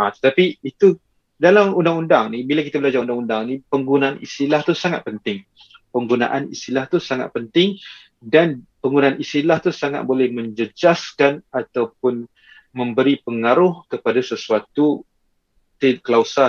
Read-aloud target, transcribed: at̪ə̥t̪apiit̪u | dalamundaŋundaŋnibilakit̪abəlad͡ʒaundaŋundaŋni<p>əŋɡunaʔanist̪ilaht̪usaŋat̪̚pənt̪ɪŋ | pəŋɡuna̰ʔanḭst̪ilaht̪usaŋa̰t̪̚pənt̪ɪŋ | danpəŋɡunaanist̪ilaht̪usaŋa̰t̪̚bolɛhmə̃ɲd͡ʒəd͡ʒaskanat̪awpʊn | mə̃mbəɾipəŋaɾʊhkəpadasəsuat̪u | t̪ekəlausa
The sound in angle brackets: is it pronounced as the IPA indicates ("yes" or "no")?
yes